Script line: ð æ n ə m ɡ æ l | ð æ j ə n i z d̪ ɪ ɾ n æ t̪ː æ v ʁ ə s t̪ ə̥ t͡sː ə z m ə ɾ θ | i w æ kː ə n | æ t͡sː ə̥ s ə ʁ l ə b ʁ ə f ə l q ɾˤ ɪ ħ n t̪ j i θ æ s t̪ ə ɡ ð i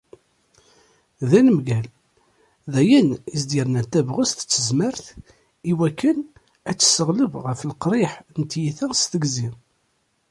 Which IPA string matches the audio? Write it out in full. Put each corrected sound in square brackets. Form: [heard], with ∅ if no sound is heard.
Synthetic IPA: ð æ n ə m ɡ æ l | ð æ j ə n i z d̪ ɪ ɾ n æ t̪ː æ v ʁ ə s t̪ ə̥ t͡sː ə z m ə ɾ θ | i w æ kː ə n | æ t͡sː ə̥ s ə ʁ l ə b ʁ ə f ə l q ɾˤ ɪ ħ n t̪ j i θ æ s t̪ ə ɡ [z] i